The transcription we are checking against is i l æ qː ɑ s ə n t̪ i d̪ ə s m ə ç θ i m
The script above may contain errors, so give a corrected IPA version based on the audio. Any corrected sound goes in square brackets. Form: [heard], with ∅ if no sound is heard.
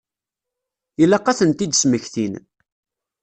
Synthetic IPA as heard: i l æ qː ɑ [θ] ə n t̪ i d̪ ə s m ə ç θ i [n]